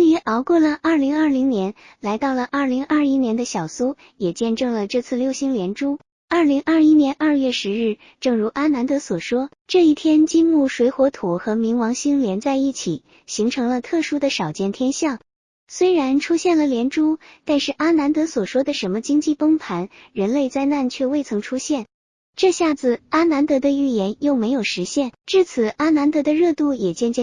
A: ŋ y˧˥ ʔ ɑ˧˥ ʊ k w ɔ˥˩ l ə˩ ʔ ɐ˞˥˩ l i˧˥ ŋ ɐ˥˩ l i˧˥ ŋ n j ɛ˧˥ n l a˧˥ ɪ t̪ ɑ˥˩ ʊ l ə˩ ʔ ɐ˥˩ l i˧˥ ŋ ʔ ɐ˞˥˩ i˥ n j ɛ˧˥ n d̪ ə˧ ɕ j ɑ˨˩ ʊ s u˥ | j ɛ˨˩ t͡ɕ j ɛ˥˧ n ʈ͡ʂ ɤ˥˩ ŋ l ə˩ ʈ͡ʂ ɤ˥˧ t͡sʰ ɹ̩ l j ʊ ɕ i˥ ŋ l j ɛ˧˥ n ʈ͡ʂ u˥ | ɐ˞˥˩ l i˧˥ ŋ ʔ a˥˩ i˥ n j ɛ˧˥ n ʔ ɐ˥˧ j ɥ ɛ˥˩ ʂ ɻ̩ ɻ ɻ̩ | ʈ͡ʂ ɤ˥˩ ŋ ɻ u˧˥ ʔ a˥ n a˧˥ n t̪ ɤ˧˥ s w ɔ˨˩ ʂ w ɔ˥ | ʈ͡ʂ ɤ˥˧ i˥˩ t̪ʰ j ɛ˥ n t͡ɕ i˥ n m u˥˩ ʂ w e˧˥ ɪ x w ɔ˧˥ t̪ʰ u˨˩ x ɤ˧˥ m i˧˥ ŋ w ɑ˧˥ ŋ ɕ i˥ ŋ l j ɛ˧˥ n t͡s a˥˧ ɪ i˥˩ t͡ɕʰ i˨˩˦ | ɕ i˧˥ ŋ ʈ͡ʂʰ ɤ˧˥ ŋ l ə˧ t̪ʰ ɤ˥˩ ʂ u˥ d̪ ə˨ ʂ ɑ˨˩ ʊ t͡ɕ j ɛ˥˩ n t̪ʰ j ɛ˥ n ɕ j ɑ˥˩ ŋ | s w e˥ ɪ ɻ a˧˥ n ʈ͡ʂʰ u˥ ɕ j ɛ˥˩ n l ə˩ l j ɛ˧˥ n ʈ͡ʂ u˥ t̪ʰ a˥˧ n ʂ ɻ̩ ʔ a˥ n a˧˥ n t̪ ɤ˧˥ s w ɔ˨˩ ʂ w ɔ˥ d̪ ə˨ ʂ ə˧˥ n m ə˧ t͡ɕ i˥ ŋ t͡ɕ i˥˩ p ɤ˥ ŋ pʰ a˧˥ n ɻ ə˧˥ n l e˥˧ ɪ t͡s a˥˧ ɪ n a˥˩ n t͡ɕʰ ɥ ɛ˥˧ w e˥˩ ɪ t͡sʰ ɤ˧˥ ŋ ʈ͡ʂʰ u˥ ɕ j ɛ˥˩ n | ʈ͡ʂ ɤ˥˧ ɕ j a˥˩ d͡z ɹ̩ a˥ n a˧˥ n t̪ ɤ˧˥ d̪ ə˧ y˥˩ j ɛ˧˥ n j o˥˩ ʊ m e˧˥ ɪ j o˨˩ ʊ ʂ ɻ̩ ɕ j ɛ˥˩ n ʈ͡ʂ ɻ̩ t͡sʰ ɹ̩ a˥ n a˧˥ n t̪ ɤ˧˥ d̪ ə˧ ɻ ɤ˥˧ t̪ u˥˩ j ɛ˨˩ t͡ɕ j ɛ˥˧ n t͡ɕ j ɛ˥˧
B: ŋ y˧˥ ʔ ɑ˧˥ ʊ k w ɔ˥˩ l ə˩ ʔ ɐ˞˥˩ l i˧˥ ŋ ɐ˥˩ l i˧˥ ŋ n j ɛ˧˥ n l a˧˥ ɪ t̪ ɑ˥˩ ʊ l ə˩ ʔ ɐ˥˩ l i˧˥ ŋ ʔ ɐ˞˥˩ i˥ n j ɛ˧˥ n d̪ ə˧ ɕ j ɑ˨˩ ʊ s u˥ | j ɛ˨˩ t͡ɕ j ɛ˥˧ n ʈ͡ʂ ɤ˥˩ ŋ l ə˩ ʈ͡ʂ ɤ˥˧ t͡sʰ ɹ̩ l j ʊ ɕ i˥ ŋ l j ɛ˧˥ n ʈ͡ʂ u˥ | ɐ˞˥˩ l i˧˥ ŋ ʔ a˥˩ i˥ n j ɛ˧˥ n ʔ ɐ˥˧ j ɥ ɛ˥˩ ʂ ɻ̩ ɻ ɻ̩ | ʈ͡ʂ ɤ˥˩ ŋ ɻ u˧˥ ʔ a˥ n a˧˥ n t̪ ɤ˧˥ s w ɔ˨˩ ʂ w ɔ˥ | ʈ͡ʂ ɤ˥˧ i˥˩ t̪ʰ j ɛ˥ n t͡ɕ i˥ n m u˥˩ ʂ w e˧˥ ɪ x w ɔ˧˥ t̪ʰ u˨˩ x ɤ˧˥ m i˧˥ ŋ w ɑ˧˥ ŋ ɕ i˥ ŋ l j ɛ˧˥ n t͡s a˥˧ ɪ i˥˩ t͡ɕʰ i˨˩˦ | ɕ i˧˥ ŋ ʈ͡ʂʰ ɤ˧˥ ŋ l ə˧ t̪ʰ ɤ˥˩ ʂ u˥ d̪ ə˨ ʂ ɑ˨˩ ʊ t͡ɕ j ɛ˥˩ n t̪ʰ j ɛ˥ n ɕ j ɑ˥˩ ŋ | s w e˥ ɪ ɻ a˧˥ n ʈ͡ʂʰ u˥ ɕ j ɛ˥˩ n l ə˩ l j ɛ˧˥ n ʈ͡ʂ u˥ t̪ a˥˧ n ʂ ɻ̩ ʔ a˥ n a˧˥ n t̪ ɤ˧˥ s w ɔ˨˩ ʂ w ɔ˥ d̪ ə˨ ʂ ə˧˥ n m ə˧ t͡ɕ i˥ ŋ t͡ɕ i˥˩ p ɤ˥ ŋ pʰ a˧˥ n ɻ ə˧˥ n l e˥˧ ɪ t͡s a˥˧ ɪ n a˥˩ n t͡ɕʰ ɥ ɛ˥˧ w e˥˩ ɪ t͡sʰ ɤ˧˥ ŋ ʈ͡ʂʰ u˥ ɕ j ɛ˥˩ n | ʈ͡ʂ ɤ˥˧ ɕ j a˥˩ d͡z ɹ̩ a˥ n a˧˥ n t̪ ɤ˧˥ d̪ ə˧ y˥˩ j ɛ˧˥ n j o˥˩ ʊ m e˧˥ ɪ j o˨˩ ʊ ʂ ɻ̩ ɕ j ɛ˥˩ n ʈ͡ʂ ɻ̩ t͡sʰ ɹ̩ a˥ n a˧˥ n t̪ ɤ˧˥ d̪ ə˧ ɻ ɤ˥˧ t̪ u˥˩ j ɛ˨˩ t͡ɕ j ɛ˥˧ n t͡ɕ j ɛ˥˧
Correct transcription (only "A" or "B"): B